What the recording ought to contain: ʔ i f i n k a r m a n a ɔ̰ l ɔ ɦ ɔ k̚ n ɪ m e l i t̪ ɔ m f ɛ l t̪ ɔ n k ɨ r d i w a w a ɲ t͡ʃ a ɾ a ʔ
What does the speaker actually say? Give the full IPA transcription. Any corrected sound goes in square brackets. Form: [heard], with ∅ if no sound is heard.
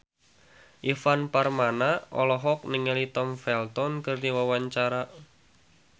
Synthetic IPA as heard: ʔ i f [a] n [p] a r m a n a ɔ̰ l ɔ ɦ ɔ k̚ n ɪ [ŋ] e l i t̪ ɔ m f ɛ l t̪ ɔ n k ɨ r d i w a w a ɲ t͡ʃ a ɾ a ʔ

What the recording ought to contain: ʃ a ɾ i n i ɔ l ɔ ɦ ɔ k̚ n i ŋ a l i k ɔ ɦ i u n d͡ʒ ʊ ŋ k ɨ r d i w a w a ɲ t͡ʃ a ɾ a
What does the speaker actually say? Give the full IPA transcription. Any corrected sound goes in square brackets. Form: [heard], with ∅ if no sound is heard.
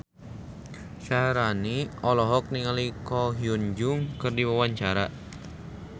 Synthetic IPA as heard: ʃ a ɾ [a] n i ɔ l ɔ ɦ ɔ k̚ n i ŋ a l i k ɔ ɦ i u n d͡ʒ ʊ ŋ k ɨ r d i w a w a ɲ t͡ʃ a ɾ a

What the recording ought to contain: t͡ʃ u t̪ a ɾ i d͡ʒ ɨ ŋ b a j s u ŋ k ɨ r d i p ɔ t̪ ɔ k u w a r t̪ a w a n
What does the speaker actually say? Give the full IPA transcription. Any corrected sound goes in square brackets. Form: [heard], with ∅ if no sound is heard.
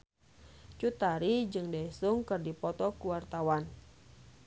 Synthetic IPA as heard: t͡ʃ u t̪ a ɾ i d͡ʒ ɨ ŋ [d] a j s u ŋ k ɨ r d i p ɔ t̪ ɔ k u w a r t̪ a w a n

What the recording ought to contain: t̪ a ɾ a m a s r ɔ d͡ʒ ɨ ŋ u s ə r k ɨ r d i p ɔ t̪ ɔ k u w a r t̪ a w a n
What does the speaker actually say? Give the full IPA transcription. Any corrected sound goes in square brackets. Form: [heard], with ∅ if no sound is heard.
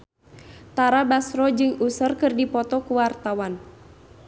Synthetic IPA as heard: t̪ a ɾ a [b] a s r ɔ d͡ʒ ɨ ŋ u s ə r k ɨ r d i p ɔ t̪ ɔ k u w a r t̪ a w a n

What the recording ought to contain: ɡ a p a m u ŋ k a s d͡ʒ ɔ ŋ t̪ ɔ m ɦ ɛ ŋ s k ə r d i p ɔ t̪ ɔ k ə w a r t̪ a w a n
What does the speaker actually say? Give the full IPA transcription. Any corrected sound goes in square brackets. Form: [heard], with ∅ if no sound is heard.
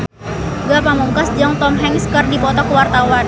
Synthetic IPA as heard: ɡ a p a m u ŋ k a s d͡ʒ ɔ ŋ t̪ ɔ m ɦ ɛ ŋ s k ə r d i p ɔ t̪ ɔ k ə w a r t̪ a w a n

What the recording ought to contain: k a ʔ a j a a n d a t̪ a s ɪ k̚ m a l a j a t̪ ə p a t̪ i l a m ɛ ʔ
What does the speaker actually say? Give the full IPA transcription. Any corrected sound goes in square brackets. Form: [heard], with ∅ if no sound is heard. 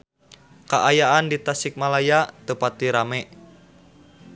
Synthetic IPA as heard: k a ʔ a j a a n d [i] t̪ a s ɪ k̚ m a l a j a t̪ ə p a t̪ i [ɾ] a m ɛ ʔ

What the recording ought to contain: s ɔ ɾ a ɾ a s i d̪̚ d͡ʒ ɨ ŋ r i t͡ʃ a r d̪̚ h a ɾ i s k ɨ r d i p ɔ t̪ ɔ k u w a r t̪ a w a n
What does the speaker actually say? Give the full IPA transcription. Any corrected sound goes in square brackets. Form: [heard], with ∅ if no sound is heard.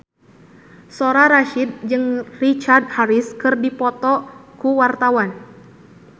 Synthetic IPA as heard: s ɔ ɾ a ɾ a [ʃ] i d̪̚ d͡ʒ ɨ ŋ r i t͡ʃ a r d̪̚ h a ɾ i s k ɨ r d i p ɔ t̪ ɔ k u w a r t̪ a w a n

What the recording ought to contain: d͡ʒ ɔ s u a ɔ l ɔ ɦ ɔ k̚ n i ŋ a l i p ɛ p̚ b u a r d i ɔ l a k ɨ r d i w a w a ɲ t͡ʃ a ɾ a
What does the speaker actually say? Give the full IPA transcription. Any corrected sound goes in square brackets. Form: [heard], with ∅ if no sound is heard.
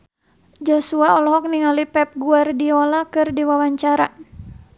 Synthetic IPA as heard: d͡ʒ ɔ s u a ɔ l ɔ ɦ ɔ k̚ n i ŋ a l i p ɛ p̚ [ɡ] u a r d i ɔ l a k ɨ r d i w a w a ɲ t͡ʃ a ɾ a

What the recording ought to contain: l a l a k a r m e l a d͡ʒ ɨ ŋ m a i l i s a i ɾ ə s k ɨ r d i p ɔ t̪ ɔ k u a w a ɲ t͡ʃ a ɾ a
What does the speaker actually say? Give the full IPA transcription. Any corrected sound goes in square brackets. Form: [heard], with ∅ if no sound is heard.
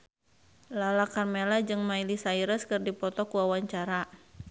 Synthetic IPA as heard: l a l a k a r m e l a d͡ʒ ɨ ŋ m a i l i s a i ɾ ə s k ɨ r d i p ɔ t̪ ɔ k u a w a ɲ t͡ʃ a ɾ a

